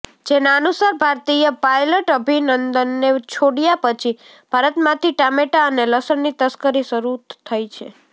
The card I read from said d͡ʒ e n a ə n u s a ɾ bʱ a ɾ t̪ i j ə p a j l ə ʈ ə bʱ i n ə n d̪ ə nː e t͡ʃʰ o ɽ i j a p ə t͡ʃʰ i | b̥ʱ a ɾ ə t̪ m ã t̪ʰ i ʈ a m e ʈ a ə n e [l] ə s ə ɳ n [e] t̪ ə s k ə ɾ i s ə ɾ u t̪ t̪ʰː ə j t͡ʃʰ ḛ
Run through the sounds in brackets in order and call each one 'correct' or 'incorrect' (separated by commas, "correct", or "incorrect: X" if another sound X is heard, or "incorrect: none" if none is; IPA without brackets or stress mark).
correct, incorrect: i